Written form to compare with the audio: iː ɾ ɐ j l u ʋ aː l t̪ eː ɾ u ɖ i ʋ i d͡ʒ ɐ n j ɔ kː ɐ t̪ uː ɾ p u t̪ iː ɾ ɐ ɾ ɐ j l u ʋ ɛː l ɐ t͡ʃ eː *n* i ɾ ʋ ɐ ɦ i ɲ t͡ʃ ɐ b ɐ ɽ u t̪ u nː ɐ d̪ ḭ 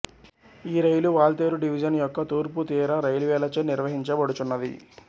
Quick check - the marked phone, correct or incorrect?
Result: correct